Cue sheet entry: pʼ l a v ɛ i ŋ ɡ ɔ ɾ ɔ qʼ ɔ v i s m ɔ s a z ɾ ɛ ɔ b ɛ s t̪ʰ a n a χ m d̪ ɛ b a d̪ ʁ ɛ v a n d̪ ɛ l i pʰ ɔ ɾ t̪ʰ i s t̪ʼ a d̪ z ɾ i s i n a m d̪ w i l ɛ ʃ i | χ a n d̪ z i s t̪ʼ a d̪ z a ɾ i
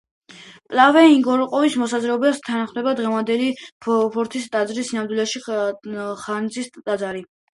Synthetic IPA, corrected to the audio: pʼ l a v ɛ i ŋ ɡ ɔ ɾ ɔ qʼ ɔ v i s m ɔ s a z ɾ ɛ ɔ b ɛ s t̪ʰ a n a χ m d̪ ɛ b a d̪ ʁ ɛ v a n d̪ ɛ l i pʰ ɔ ɾ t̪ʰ i s t̪ʼ a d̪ z ɾ i s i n a m d̪ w i l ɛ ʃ i | χ a n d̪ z i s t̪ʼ a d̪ z a ɾ i